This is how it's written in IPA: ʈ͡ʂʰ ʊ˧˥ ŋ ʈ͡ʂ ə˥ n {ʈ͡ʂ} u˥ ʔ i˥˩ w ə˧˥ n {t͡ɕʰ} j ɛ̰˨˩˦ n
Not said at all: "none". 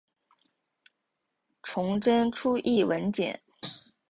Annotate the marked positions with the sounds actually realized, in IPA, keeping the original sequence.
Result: ʈ͡ʂʰ, t͡ɕ

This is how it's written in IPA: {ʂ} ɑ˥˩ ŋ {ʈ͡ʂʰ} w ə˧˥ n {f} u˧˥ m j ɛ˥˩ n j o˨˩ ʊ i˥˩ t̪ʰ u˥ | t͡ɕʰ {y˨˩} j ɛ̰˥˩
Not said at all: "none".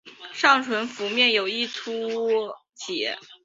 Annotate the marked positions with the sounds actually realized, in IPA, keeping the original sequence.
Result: ʂ, ʈ͡ʂʰ, f, i˨˩

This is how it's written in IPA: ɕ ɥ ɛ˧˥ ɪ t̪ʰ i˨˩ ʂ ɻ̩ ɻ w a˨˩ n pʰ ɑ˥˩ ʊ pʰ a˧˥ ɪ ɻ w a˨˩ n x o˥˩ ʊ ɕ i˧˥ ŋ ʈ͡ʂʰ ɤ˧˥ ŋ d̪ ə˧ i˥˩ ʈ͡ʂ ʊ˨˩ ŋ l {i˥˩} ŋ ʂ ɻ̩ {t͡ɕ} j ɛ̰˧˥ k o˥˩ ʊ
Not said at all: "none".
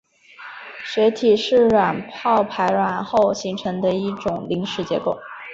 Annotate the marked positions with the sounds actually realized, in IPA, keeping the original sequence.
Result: i˧˥, t͡ɕ

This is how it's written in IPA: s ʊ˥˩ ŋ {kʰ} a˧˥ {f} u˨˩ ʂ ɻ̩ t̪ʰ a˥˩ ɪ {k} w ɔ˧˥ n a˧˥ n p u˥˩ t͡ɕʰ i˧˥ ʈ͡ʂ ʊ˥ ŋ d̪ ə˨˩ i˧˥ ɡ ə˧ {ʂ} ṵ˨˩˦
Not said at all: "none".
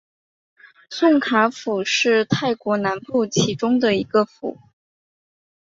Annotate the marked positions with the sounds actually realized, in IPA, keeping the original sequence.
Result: kʰ, f, k, f

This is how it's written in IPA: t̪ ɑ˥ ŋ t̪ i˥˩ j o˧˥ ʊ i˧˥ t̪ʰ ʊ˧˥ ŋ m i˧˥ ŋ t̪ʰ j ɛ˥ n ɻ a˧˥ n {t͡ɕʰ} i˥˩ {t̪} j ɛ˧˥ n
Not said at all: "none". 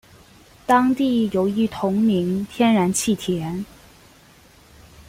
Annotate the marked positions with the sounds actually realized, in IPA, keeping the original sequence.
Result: t͡ɕʰ, t̪ʰ

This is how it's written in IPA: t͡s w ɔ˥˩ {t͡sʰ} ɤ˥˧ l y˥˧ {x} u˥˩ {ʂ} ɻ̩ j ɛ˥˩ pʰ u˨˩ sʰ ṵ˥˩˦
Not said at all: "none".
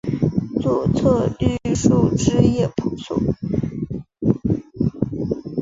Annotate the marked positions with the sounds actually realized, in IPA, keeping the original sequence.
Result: t͡sʰ, ʂ, ʈ͡ʂ

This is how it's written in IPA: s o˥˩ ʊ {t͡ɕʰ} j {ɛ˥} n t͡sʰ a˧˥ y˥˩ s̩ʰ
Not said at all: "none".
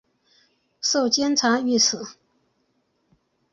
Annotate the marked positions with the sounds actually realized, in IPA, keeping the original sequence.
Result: t͡ɕ, ɛ˥

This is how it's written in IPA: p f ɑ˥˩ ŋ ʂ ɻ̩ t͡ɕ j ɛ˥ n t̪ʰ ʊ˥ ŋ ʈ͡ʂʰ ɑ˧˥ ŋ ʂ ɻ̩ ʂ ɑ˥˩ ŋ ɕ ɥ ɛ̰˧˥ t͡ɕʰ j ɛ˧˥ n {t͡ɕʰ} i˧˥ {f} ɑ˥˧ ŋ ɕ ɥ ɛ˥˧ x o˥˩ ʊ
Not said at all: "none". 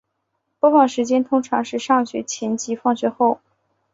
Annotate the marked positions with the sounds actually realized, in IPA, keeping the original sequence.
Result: t͡ɕ, f

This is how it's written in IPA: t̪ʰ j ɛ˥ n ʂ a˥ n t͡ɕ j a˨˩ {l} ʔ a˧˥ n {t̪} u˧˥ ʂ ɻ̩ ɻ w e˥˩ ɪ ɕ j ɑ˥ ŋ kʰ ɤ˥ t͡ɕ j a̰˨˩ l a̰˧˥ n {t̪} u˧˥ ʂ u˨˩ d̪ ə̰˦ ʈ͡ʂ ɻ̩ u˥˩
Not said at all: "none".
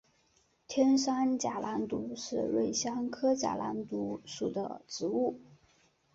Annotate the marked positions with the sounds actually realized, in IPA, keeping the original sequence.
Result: l, t̪, t̪

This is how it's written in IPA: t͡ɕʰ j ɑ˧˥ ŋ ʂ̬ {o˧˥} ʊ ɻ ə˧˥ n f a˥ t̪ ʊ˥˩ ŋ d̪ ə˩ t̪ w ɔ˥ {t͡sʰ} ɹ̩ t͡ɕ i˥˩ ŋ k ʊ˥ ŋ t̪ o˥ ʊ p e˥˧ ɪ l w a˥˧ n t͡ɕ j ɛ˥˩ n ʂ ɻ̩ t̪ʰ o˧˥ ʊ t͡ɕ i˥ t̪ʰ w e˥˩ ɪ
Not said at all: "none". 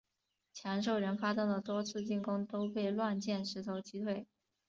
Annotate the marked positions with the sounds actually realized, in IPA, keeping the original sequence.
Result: o˥˩, t͡sʰ

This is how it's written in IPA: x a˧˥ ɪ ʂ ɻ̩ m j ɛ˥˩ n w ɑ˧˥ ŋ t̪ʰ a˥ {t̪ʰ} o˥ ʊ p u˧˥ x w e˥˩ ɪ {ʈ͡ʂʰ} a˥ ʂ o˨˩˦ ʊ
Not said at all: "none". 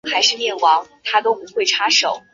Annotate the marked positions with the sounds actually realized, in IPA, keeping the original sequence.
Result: t̪, ʈ͡ʂʰ

